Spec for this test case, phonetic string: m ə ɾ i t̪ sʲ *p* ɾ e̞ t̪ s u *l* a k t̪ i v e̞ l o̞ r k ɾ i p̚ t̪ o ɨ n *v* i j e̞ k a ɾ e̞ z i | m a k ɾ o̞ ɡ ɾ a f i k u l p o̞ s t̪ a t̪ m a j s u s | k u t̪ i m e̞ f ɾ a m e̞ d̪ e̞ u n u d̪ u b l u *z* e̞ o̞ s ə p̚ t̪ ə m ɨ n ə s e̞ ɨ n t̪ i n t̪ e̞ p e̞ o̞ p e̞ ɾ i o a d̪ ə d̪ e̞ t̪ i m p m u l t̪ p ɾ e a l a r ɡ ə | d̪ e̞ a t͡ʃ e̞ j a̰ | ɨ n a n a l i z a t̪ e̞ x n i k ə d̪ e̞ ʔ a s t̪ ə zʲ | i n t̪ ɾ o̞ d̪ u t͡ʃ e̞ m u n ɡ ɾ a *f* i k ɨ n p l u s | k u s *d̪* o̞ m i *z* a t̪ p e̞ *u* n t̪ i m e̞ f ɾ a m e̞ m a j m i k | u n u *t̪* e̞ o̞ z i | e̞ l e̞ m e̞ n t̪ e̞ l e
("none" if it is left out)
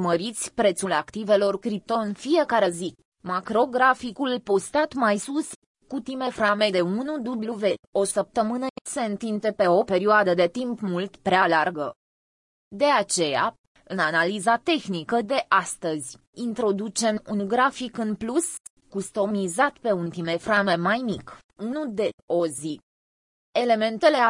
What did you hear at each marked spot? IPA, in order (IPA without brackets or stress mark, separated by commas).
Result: p, l, f, v, f, t̪, z, u, d̪